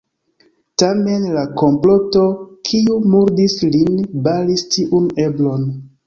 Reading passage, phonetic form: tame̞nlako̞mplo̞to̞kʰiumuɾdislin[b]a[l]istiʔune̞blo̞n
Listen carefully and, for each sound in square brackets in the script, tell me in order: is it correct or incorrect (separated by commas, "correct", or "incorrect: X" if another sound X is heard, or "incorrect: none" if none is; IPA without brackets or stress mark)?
correct, correct